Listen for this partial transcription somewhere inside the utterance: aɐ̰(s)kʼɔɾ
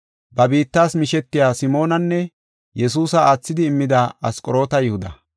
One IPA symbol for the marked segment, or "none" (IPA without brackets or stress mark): s